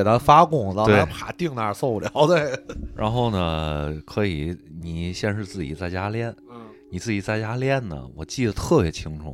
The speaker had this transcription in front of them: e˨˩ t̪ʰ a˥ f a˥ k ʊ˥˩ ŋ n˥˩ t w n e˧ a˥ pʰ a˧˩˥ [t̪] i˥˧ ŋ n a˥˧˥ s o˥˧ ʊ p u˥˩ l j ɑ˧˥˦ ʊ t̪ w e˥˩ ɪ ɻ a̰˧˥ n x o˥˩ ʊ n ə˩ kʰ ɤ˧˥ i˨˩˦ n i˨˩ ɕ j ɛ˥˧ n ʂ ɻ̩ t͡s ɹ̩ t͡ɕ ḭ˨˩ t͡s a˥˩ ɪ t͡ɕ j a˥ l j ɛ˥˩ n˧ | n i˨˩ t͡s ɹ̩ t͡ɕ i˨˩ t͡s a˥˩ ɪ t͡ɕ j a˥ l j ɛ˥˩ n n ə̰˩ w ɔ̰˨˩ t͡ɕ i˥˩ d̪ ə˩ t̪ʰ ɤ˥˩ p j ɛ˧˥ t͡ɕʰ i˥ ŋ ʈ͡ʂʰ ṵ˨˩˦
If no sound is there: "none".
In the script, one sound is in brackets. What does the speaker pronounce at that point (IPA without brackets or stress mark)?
t̪